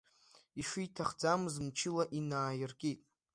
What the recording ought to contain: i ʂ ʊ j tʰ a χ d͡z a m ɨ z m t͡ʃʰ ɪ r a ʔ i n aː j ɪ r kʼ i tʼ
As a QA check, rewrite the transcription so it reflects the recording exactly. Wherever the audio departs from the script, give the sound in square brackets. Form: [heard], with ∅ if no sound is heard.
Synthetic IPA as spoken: i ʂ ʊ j tʰ a χ d͡z a m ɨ z m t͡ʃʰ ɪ [l] a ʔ i n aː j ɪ r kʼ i tʼ